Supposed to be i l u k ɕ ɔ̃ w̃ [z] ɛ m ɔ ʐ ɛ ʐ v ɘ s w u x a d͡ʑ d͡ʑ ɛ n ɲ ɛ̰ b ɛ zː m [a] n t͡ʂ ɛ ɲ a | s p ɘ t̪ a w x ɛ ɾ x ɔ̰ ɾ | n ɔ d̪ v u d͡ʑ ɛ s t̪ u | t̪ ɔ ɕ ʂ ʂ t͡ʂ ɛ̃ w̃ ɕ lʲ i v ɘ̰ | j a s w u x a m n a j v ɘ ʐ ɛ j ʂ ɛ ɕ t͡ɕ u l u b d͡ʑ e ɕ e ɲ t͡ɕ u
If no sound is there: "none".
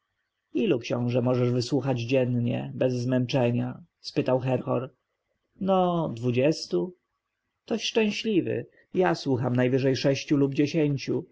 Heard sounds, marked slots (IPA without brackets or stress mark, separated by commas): ʐ, ɛ